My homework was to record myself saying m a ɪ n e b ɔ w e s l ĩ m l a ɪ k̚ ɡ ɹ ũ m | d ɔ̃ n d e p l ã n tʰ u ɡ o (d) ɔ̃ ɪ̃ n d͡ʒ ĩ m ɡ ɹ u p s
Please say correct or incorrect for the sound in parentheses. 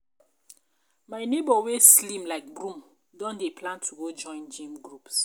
incorrect